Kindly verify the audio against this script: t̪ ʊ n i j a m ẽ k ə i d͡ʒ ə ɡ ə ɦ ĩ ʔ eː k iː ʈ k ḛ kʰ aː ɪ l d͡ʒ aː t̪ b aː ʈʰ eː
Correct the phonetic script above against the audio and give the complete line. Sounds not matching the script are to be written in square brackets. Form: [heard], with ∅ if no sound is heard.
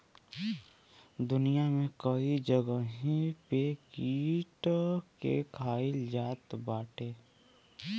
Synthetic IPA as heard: [d̪] ʊ n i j a m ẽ k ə i d͡ʒ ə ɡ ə ɦ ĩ [p] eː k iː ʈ k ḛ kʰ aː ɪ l d͡ʒ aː t̪ b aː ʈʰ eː